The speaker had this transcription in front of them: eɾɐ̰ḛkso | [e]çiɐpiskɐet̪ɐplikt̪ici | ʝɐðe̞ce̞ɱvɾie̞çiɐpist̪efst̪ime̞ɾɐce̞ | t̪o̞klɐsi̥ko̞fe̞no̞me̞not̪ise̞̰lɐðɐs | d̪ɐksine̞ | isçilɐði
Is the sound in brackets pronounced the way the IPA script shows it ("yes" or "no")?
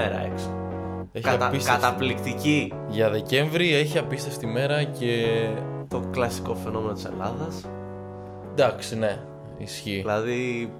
yes